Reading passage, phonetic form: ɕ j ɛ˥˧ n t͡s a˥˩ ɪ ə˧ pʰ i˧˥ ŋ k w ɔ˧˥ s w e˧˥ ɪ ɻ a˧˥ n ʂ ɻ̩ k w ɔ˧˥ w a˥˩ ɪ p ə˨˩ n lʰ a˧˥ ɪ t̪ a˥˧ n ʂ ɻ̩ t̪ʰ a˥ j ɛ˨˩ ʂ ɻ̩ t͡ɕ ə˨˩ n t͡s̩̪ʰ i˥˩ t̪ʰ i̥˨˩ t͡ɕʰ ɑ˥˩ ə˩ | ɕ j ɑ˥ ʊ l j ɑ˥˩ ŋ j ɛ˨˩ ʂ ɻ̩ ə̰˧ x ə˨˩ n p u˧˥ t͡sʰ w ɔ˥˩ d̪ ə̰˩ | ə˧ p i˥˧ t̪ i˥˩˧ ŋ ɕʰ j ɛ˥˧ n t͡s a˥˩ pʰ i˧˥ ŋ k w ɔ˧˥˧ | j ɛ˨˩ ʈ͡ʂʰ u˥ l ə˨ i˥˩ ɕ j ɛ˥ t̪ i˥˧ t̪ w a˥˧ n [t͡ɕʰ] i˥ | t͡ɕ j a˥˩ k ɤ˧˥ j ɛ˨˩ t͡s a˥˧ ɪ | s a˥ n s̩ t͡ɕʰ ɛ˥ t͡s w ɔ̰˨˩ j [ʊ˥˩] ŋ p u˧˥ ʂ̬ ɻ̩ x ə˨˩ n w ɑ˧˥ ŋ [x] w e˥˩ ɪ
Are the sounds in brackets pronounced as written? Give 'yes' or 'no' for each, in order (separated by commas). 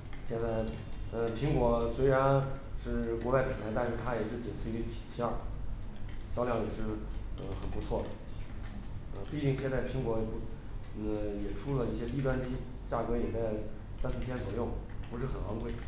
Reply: no, yes, no